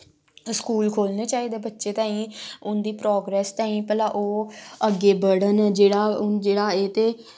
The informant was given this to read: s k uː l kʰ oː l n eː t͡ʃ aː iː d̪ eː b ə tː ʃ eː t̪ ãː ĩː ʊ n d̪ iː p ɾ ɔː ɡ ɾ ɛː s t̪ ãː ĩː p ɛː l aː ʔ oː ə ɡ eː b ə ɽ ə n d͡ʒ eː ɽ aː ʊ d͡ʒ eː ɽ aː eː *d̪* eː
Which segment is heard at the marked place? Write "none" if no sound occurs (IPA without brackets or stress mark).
t̪